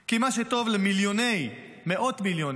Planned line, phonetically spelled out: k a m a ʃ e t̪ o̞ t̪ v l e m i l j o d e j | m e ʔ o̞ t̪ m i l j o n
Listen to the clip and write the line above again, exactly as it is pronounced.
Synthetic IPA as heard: k i m a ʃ e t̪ o̞ v l e m i l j o n e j | m e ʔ o̞ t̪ m i l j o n